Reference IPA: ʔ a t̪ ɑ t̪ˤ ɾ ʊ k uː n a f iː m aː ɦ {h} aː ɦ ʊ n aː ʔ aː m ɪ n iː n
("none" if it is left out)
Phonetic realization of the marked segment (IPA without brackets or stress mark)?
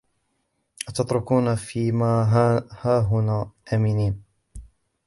h